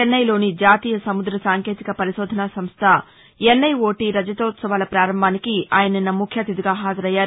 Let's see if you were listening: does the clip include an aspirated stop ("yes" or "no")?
yes